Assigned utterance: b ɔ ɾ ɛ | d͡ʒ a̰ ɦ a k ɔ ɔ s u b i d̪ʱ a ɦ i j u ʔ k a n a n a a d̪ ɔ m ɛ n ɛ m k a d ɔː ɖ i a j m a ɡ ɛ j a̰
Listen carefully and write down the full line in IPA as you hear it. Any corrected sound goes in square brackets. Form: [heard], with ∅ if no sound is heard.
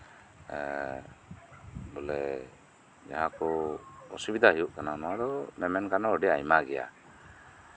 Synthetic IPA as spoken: b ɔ [l] ɛ | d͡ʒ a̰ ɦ a k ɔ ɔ s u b i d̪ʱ a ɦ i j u ʔ k a n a n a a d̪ ɔ m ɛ [m] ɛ [n] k a [n] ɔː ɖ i a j m a ɡ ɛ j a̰